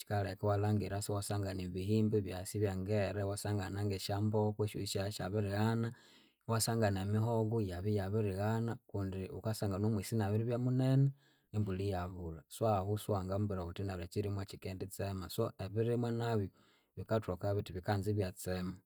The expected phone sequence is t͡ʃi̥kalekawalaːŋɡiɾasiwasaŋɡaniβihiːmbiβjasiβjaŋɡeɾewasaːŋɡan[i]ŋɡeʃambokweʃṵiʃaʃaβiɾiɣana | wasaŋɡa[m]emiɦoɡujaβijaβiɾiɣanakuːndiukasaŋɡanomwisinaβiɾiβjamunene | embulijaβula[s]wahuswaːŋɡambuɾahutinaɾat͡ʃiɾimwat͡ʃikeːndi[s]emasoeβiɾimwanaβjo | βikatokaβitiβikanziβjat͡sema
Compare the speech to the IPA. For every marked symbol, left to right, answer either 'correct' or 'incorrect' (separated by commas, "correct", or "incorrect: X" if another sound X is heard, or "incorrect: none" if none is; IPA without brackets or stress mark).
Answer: incorrect: a, incorrect: n, correct, incorrect: t͡s